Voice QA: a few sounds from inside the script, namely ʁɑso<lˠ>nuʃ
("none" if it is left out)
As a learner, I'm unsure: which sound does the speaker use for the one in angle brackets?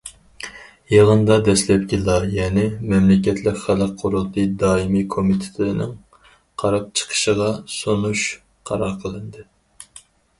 none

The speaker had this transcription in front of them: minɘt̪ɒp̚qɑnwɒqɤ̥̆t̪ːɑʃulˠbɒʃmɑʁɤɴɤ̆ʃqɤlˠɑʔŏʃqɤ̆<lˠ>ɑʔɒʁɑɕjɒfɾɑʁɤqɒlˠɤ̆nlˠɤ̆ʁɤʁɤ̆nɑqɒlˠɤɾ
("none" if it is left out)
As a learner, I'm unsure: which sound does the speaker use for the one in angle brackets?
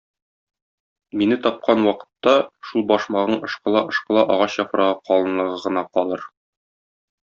lˠ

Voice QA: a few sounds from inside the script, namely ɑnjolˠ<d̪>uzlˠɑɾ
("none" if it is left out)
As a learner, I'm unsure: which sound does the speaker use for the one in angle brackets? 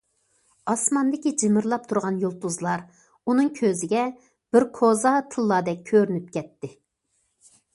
t̪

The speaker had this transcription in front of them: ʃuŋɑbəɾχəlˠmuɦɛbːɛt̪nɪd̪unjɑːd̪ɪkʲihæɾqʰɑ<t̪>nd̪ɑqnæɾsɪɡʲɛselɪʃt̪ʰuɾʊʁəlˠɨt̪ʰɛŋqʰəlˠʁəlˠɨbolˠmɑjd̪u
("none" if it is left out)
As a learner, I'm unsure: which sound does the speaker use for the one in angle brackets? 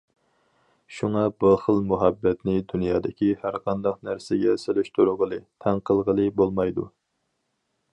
none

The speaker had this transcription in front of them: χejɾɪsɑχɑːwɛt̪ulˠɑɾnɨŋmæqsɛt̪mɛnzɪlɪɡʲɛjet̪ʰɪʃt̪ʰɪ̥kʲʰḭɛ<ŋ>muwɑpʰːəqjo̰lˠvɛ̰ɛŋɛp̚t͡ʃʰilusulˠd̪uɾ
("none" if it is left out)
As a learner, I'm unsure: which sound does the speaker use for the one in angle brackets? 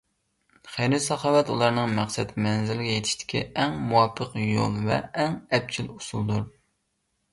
ŋ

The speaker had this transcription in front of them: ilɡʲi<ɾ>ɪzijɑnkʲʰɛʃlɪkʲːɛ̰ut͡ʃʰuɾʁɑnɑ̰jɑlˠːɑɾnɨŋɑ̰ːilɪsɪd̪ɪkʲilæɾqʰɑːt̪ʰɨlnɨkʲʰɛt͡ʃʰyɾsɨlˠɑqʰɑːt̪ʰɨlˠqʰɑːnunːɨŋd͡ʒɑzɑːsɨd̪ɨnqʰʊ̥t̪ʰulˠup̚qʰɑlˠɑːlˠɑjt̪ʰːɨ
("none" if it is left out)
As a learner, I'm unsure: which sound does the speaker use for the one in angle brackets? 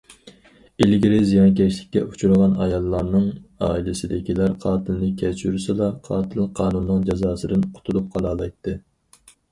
ɾ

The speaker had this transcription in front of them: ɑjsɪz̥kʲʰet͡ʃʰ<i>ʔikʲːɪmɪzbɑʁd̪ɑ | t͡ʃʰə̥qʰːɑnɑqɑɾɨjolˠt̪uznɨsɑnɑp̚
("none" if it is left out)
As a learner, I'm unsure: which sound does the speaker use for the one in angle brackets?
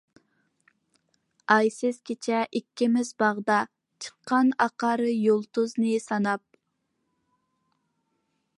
ɛ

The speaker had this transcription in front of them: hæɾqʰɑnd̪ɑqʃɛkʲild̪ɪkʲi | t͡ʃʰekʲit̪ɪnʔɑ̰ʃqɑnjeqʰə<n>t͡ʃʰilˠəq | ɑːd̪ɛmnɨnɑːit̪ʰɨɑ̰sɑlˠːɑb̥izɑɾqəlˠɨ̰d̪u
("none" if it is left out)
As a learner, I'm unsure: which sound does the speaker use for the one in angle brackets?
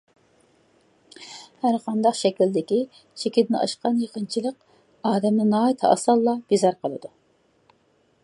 n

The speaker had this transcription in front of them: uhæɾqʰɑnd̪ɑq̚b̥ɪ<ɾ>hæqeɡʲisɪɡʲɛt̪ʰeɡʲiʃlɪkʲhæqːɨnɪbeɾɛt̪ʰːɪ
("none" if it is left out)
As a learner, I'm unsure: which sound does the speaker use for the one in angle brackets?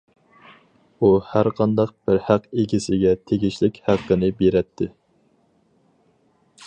ɾ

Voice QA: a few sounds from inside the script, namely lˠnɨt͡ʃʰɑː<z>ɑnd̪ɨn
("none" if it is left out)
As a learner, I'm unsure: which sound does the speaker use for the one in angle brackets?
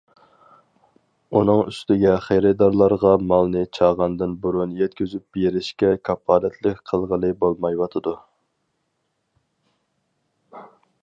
ʁ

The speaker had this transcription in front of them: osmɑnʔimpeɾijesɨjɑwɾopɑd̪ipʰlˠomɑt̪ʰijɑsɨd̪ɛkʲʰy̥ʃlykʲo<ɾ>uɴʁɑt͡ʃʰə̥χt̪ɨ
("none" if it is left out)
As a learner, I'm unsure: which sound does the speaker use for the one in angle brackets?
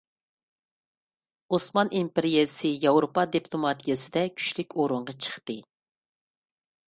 ɾ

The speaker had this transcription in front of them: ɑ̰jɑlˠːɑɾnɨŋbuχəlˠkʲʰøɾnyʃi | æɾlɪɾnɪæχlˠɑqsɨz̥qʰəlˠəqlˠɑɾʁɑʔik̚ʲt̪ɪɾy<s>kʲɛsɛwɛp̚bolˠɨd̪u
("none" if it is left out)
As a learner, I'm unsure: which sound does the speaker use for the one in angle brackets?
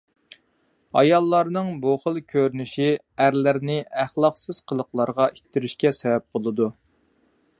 ʃ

